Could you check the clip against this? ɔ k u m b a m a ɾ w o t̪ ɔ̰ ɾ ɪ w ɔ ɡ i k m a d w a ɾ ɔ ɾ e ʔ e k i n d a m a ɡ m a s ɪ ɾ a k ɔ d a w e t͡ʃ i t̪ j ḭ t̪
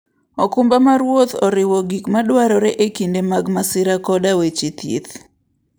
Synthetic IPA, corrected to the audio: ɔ k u m b a m a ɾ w o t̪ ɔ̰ ɾ ɪ w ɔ ɡ i k m a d w a ɾ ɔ ɾ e ʔ e k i n d e m a ɡ m a s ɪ ɾ a k ɔ d a w e t͡ʃ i t̪ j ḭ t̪

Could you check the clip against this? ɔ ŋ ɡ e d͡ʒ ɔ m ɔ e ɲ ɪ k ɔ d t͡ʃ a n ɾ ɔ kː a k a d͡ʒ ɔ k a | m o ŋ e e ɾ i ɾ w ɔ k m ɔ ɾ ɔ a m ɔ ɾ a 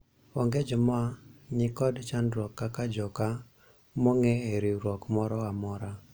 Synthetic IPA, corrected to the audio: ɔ ŋ ɡ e d͡ʒ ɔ m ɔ a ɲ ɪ k ɔ d t͡ʃ a n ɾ ɔ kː a k a d͡ʒ ɔ k a | m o ŋ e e ɾ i ɾ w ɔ k m ɔ ɾ ɔ a m ɔ ɾ a

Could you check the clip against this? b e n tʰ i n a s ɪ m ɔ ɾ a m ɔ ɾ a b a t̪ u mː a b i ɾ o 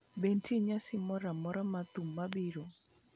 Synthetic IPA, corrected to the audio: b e n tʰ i ɲ a s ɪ m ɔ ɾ a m ɔ ɾ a m a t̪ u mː a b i ɾ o

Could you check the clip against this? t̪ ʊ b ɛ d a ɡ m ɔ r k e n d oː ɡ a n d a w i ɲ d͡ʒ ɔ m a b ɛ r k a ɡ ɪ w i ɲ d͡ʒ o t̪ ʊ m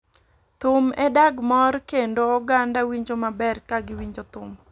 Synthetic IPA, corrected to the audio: t̪ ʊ m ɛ d a ɡ m ɔ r k e n d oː ɡ a n d a w i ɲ d͡ʒ o m a b ɛ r k a ɡ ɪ w i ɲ d͡ʒ o t̪ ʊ m

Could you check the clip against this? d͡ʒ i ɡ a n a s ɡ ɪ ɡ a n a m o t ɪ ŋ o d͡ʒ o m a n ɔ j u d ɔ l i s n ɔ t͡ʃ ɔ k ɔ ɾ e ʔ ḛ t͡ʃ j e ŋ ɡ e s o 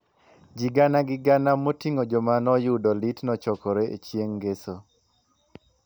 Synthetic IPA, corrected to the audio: d͡ʒ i ɡ a n a ɡ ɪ ɡ a n a m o t i ŋ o d͡ʒ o m a n ɔ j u d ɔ l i t n ɔ t͡ʃ ɔ k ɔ ɾ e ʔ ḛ t͡ʃ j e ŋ ɡ e s o

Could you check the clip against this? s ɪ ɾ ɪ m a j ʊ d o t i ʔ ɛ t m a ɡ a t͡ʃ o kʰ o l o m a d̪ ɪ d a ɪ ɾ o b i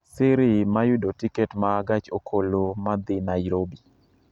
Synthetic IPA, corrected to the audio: s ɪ ɾ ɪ m a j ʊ d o t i k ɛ t m a ɡ a t͡ʃ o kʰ o l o m a d̪ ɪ n a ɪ ɾ o b i

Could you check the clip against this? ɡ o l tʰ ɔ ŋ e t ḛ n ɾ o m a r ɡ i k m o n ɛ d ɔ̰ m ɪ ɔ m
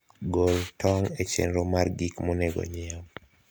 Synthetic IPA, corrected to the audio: ɡ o l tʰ ɔ ŋ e t͡ʃ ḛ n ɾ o m a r ɡ i k m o n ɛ ɡ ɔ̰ ɲ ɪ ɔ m

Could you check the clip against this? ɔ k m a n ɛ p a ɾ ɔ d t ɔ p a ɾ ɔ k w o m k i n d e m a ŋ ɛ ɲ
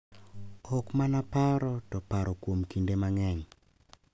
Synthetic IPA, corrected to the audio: ɔ k m a n a p a ɾ ɔ t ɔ p a ɾ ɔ k w o m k i n d e m a ŋ ɛ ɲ

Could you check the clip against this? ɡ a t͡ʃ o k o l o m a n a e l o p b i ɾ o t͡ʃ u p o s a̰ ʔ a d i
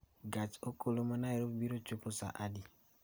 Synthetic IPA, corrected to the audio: ɡ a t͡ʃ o k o l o m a n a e ɾ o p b i ɾ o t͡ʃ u p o s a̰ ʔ a d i

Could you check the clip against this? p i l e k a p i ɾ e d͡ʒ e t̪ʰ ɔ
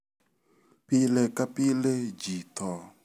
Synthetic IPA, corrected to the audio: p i l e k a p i l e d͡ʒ i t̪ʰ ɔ

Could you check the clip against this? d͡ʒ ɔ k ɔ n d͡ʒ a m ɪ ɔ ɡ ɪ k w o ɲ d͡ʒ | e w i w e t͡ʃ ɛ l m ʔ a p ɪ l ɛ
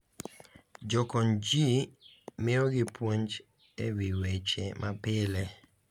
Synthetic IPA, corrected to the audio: d͡ʒ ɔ k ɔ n d͡ʒ i m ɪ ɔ ɡ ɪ p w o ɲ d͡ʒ | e w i w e t͡ʃ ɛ m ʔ a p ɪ l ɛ

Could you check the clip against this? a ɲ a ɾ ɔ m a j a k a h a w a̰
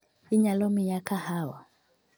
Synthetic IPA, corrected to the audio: i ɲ a l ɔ m i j a k a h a w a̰

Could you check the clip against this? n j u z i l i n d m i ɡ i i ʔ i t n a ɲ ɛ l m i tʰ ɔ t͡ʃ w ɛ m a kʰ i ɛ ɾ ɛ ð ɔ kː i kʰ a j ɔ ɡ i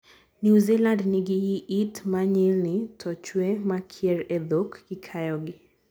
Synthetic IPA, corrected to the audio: n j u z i l a n d n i ɡ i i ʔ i t m a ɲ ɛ l n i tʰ ɔ t͡ʃ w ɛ m a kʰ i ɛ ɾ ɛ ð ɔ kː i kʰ a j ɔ ɡ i

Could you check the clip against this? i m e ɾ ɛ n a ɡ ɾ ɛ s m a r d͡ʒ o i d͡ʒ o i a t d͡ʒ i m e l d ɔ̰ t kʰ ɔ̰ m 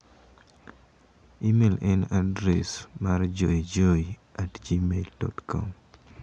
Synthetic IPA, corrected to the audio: i m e l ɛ n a d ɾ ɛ s m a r d͡ʒ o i d͡ʒ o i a t d͡ʒ i m e l d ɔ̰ t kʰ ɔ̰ m

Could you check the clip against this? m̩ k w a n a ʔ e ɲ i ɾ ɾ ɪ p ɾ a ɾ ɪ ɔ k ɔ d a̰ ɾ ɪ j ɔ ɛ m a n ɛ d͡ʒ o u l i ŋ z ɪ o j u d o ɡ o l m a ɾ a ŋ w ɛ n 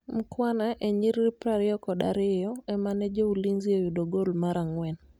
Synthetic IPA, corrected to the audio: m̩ k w a n a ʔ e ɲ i ɾ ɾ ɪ p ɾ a ɾ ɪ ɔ k ɔ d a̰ ɾ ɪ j ɔ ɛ m a n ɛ d͡ʒ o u l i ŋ z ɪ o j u d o ɡ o l m a ɾ a ŋ w ɛ n

